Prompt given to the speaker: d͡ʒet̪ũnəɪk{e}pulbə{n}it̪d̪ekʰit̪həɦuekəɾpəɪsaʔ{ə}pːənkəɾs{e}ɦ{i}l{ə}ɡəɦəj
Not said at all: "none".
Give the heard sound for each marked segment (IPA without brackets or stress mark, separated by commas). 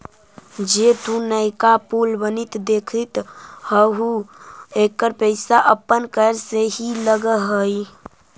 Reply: a, n, ə, e, i, ə